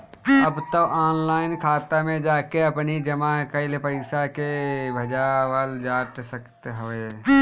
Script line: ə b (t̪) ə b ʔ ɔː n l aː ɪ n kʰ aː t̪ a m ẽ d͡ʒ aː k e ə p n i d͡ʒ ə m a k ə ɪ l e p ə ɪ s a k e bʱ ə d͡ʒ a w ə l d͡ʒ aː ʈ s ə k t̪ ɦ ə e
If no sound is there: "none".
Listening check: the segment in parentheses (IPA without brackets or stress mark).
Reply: t̪